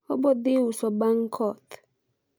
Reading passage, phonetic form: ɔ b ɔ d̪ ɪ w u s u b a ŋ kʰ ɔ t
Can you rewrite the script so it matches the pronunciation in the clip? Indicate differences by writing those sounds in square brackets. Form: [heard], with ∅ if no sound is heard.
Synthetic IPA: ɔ b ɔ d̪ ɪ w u s [ɔ] b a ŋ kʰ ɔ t